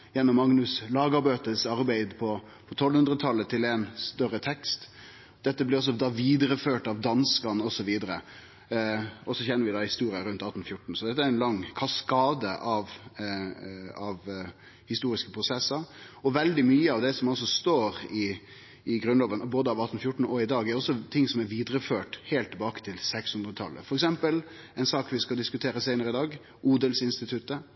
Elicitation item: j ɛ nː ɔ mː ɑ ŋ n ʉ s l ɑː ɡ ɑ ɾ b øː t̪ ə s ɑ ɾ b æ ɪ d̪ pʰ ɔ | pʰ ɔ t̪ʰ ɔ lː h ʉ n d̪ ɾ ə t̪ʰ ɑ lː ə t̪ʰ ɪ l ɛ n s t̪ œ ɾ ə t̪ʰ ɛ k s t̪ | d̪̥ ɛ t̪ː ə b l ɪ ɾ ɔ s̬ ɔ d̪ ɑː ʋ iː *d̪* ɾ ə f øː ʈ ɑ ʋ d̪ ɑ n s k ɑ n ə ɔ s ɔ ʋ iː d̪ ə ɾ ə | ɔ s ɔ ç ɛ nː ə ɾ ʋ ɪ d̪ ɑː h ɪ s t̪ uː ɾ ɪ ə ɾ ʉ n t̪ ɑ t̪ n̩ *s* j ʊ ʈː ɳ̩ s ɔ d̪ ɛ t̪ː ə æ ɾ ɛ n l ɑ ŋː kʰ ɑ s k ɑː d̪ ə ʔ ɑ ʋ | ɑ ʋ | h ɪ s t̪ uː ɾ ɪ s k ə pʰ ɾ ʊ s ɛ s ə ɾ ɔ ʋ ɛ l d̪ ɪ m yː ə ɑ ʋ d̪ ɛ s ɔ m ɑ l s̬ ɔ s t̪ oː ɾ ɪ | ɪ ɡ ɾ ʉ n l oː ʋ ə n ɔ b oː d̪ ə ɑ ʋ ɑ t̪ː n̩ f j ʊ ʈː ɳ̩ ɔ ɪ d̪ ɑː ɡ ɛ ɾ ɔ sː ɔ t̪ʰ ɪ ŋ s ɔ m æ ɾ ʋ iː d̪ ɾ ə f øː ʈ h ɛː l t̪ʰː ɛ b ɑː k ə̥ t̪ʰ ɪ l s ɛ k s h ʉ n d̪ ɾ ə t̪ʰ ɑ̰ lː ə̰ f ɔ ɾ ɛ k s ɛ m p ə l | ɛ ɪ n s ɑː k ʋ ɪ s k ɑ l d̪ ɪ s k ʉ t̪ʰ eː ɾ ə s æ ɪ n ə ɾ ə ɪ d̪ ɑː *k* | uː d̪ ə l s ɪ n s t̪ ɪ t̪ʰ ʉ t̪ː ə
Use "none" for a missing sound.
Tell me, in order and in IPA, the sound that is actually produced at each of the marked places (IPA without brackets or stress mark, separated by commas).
d̪, f, ɡ